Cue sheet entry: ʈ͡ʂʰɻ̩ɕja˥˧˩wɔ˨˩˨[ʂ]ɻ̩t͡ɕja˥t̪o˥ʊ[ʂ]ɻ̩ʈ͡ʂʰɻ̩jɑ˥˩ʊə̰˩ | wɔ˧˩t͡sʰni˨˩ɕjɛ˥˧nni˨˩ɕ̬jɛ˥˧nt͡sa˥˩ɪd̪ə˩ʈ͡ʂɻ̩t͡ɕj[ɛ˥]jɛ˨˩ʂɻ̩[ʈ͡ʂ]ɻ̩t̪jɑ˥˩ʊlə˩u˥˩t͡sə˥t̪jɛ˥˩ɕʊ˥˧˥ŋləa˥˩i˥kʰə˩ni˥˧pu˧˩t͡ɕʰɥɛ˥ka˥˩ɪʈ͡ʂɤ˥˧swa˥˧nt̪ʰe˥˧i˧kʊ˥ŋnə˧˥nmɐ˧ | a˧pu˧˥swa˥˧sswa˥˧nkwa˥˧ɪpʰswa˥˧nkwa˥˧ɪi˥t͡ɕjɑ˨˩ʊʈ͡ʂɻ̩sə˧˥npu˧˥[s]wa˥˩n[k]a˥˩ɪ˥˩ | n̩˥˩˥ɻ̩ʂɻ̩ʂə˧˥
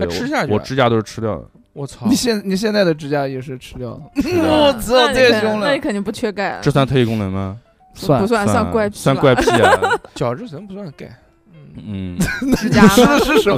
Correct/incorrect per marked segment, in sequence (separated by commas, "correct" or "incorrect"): incorrect, correct, incorrect, incorrect, correct, correct